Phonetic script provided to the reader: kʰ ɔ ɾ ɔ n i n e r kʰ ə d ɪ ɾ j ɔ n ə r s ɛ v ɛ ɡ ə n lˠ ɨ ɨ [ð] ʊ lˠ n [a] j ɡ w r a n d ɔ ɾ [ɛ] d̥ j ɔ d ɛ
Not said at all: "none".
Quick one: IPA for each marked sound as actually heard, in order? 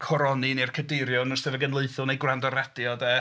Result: θ, e, ɛ

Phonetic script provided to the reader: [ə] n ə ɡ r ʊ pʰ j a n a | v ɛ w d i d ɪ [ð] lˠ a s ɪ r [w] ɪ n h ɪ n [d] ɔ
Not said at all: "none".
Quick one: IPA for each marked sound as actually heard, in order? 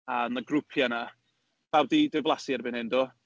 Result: a, v, b, d

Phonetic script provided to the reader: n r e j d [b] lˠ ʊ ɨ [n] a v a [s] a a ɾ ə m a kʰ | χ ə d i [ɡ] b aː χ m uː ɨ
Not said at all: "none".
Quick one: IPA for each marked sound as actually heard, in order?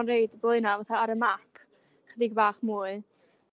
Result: b, n, θ, ɡ

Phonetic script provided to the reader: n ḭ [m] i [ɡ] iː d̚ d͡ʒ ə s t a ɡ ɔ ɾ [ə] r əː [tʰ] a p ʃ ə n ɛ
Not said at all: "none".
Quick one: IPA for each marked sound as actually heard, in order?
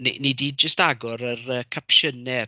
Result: n, d, ə, kʰ

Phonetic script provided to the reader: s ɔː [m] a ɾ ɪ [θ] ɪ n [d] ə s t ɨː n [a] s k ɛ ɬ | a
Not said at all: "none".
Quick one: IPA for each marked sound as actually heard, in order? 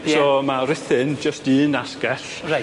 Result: m, θ, d͡ʒ, a

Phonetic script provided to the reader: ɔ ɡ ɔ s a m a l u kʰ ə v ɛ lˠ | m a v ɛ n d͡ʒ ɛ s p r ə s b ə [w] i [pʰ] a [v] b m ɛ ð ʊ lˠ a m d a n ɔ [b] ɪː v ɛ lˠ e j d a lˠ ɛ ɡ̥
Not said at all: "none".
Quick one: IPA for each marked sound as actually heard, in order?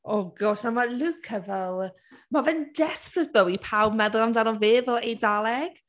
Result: w, pʰ, w, v

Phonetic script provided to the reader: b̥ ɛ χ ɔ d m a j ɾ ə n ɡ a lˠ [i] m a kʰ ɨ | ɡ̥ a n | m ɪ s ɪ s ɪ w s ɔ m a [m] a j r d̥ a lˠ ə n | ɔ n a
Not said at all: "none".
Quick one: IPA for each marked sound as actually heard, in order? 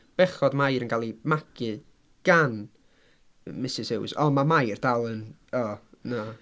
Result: i, m

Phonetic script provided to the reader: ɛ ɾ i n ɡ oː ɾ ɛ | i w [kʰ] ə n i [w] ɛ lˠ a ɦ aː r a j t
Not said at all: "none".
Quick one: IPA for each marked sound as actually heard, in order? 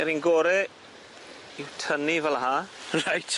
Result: tʰ, v

